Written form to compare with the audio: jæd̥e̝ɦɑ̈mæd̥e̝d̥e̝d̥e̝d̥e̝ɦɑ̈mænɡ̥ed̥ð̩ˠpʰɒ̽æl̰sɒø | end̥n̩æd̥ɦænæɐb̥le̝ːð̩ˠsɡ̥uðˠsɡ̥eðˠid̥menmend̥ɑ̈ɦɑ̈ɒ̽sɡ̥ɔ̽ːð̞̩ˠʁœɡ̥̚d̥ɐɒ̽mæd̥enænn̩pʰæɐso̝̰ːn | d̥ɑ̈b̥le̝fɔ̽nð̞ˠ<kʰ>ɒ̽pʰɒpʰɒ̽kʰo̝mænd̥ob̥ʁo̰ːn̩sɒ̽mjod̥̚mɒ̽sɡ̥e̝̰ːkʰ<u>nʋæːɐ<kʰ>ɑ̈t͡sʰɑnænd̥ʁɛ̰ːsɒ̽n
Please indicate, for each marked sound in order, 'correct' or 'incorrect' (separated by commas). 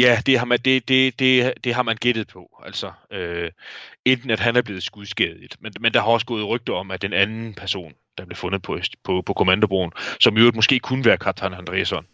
incorrect, correct, correct